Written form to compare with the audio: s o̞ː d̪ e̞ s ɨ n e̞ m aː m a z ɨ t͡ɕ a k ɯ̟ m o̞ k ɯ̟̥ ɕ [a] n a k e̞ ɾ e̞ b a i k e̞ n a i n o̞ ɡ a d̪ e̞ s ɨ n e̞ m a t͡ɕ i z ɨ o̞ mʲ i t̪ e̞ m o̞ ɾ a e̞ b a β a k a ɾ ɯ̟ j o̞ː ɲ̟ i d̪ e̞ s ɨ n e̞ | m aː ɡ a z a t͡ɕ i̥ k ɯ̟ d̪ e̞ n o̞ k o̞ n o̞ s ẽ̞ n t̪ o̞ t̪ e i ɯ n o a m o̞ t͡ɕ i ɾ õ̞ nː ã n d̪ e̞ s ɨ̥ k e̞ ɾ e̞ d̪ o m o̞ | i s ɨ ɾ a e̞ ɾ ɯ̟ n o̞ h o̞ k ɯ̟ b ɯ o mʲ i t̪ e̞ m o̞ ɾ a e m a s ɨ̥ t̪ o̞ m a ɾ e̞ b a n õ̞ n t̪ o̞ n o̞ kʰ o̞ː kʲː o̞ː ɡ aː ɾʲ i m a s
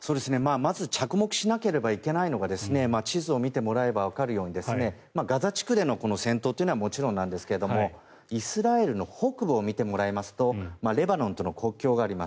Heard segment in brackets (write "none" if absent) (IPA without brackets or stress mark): i